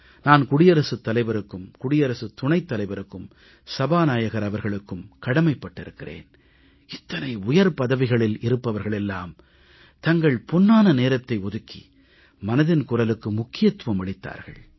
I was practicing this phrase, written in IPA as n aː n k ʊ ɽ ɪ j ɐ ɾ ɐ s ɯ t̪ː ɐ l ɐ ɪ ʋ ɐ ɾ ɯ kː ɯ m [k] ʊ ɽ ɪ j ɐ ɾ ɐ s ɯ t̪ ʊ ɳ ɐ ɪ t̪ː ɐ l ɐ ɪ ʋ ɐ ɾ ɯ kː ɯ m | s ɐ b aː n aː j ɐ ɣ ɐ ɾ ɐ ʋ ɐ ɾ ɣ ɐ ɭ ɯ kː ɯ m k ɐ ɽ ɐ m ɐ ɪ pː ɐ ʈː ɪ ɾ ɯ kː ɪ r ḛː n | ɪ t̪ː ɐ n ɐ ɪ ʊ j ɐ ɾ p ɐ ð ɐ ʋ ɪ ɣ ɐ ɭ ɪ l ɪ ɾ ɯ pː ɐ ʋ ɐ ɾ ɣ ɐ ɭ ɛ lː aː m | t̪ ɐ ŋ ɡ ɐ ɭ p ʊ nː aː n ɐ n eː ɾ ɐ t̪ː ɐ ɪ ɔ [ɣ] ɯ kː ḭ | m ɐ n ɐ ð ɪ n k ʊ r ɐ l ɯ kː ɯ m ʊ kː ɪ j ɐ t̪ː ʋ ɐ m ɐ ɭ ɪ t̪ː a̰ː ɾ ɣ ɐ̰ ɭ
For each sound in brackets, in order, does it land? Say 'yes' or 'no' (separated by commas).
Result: yes, no